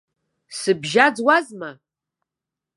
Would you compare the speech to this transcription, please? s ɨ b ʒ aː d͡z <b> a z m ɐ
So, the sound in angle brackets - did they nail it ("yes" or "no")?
no